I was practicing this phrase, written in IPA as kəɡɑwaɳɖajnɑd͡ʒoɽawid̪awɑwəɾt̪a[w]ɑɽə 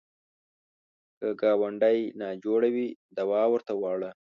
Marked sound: correct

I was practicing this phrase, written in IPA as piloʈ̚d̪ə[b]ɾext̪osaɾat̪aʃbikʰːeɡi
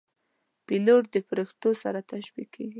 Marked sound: incorrect: p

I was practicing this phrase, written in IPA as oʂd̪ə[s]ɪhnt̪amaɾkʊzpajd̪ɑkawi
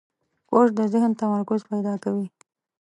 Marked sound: incorrect: z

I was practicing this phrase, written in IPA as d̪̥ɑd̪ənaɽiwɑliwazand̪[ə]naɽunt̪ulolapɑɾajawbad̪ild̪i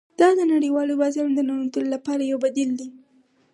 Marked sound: correct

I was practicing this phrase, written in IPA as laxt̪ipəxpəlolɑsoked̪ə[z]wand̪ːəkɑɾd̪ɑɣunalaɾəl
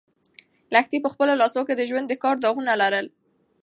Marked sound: incorrect: ʒ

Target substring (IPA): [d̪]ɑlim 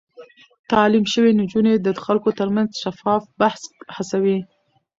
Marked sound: incorrect: t̪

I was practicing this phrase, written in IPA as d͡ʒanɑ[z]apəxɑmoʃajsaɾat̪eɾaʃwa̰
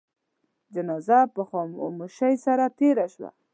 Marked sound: correct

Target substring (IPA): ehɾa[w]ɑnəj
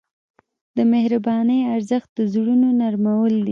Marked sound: incorrect: b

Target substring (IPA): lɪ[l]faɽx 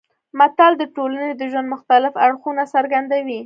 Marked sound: incorrect: none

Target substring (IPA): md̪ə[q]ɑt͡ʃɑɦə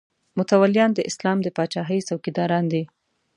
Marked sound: incorrect: p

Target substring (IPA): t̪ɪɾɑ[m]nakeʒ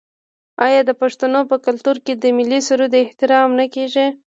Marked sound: correct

